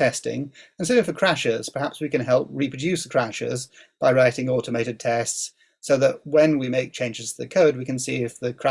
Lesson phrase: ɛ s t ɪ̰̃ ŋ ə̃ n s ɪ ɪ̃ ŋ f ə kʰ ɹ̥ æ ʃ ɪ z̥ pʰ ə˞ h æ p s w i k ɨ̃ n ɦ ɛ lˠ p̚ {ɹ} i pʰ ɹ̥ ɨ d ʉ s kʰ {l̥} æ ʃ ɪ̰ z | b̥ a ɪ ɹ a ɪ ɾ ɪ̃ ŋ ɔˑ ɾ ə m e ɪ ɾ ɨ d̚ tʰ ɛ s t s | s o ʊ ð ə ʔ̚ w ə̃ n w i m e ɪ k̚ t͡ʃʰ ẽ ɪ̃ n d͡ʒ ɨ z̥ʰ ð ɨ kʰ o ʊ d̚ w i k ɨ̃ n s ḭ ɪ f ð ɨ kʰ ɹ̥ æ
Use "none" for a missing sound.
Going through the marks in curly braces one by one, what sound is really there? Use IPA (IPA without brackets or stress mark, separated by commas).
ɹ, ɹ̥